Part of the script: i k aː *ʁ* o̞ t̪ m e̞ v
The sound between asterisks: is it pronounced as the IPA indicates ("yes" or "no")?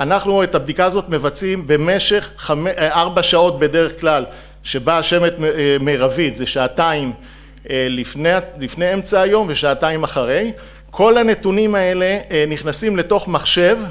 no